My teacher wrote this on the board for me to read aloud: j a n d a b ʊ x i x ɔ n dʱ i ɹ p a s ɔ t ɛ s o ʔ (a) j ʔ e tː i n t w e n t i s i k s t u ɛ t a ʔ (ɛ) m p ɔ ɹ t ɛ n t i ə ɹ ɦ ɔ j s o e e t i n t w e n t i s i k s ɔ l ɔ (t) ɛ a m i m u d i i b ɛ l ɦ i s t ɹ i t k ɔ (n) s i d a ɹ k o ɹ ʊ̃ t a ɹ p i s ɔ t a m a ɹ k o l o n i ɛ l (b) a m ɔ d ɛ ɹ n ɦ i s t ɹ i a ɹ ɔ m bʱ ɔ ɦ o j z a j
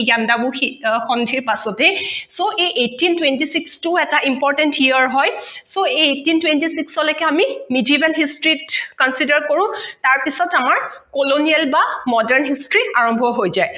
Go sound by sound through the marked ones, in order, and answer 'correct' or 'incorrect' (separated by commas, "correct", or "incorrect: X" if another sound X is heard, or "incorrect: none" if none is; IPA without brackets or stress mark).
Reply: incorrect: e, incorrect: i, incorrect: k, correct, correct